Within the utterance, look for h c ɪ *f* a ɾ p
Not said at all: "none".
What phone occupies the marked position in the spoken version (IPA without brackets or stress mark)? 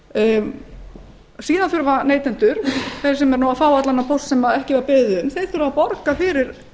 v